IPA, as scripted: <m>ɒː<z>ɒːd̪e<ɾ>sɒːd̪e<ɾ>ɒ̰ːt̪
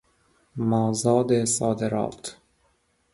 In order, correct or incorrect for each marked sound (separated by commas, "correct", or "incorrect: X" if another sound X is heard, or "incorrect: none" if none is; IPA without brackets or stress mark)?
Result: correct, correct, incorrect: none, correct